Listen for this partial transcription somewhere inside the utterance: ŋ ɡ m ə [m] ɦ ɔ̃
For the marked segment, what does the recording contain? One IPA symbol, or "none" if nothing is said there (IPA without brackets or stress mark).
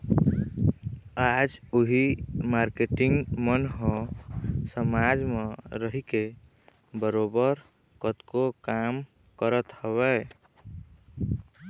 n